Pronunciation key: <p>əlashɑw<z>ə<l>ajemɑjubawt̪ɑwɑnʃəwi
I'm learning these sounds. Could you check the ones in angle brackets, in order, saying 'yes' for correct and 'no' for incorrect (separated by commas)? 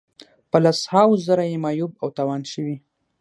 yes, yes, no